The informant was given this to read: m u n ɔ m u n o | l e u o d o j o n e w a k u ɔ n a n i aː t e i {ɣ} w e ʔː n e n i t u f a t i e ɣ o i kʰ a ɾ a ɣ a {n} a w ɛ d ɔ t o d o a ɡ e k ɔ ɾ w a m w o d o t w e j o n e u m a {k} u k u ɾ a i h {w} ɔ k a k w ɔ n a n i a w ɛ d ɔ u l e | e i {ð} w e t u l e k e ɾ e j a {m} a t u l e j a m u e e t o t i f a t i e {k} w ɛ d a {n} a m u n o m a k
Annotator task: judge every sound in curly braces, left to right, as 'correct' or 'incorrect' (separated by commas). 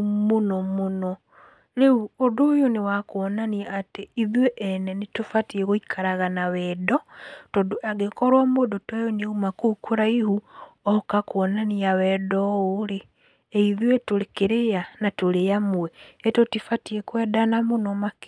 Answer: incorrect, correct, correct, incorrect, correct, incorrect, correct, correct